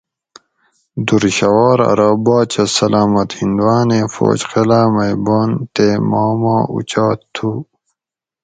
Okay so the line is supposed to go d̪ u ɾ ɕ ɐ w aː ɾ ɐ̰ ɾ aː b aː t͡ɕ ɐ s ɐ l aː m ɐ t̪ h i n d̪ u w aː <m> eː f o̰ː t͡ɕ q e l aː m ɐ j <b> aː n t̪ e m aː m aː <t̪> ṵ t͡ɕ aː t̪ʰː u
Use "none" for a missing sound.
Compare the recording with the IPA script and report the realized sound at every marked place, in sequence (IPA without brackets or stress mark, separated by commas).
n, b, none